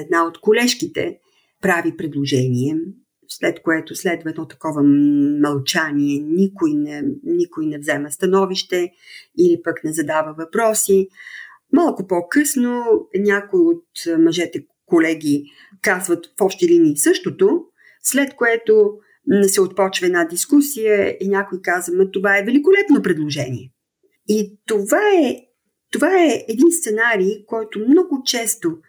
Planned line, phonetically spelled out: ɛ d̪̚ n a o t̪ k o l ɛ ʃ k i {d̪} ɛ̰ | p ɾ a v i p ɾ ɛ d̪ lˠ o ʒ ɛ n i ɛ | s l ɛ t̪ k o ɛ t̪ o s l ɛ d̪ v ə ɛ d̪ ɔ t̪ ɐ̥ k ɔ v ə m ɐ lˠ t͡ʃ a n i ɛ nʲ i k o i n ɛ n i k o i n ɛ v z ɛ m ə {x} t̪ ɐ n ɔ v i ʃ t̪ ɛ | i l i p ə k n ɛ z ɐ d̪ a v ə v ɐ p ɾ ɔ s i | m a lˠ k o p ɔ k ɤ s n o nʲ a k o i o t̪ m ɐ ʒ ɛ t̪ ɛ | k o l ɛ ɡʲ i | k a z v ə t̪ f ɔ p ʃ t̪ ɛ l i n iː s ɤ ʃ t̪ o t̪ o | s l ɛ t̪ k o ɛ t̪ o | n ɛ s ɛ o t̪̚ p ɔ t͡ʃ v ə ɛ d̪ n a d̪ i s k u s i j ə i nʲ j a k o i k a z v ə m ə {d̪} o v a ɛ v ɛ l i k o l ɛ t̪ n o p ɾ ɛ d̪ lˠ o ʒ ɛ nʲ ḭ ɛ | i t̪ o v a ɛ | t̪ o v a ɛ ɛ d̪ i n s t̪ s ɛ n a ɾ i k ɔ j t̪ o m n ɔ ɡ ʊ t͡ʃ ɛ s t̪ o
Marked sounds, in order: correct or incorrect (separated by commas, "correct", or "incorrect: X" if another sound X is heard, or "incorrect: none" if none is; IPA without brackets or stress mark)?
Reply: incorrect: t̪, incorrect: s, incorrect: t̪